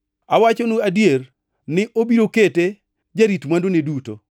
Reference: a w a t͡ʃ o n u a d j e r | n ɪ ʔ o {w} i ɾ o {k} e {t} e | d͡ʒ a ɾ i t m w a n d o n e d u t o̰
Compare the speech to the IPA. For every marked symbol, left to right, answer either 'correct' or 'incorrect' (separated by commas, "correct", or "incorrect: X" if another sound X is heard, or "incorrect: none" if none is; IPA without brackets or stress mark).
incorrect: b, correct, correct